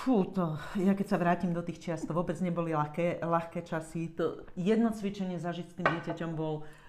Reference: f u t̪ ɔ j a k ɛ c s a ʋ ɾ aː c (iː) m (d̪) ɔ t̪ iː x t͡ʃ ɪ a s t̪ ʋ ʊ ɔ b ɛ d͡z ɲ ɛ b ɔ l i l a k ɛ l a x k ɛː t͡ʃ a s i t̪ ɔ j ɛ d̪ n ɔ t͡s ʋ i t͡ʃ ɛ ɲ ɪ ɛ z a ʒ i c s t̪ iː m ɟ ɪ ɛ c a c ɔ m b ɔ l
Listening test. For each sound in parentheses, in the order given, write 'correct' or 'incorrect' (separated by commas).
incorrect, correct